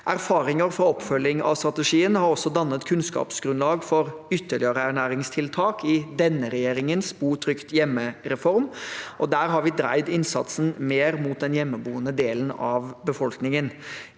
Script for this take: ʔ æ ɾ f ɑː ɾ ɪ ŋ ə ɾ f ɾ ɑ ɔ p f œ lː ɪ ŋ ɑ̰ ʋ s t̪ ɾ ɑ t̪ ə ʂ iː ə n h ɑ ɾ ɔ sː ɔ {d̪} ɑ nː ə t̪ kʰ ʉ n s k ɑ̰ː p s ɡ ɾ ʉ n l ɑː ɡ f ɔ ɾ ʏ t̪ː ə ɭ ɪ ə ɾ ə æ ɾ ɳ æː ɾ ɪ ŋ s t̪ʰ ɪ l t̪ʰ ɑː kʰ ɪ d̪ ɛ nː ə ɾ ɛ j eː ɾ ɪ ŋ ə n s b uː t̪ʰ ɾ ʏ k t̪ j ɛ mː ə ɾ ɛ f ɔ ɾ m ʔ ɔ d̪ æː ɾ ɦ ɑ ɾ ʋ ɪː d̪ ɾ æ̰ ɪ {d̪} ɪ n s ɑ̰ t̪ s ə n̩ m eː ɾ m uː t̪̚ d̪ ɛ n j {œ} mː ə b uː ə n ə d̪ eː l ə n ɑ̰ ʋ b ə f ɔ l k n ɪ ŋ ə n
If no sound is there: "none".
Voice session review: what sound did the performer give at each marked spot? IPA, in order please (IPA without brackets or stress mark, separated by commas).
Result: d̪, d̪, ɛ